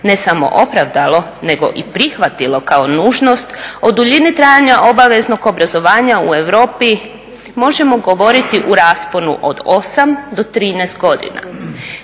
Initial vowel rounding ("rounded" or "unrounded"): unrounded